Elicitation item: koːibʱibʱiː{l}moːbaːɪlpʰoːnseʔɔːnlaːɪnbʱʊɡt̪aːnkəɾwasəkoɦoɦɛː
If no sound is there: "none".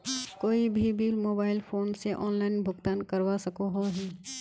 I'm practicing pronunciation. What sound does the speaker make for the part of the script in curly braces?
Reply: l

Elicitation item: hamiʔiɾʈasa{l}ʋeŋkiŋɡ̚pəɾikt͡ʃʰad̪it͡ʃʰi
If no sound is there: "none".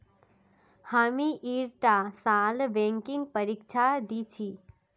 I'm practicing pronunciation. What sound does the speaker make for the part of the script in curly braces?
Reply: l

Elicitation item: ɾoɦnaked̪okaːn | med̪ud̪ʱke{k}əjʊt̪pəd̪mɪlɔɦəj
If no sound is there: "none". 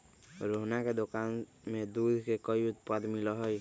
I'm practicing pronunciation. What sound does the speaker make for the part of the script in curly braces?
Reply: k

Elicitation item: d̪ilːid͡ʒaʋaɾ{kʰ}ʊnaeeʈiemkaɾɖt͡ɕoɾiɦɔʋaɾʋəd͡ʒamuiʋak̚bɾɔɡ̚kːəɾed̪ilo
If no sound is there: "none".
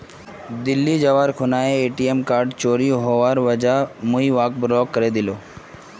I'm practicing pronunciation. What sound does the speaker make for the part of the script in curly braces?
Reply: kʰ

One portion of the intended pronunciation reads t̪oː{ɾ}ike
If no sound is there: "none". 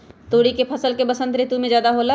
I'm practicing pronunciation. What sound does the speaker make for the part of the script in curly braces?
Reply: ɽ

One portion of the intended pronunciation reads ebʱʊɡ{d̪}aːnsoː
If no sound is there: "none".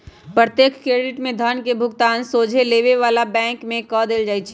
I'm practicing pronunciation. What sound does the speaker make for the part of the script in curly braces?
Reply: t̪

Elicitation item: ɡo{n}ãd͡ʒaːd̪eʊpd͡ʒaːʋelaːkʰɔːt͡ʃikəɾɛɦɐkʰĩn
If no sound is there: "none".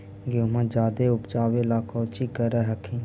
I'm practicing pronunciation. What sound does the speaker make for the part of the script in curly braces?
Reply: m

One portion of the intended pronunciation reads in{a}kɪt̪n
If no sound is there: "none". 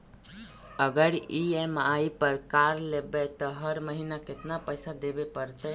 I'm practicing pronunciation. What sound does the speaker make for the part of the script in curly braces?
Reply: a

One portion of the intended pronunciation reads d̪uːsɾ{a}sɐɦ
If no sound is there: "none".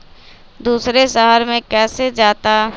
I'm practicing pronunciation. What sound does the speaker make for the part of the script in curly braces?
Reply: e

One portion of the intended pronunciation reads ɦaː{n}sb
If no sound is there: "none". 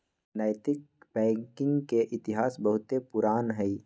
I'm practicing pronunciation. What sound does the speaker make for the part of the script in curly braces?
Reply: none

